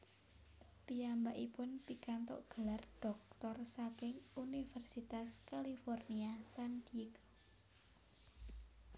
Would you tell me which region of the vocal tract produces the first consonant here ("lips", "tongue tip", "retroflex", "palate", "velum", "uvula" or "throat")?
lips